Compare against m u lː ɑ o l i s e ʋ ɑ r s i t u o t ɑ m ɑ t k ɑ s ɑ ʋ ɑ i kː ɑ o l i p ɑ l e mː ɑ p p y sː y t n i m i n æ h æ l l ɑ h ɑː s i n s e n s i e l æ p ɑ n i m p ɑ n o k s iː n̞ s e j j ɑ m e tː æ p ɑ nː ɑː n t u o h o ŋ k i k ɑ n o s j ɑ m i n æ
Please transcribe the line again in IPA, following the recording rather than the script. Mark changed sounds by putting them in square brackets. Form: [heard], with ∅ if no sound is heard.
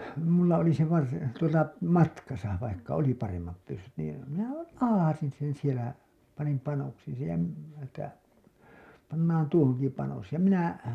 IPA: m u lː ɑ o l i s e ʋ ɑ r s i t u o t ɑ m ɑ t k ɑ s ɑ ʋ ɑ i kː ɑ o l i p ɑ [r] e mː ɑ p p y sː y t n [iː] m i n æ h æ l l ɑ h [ɑ] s i n s e n s i e l æ p ɑ n i m p ɑ n o k s iː n̞ s e j j ɑ m e tː æ p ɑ nː ɑː n t u o h o ŋ k i [p] ɑ n o s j ɑ m i n æ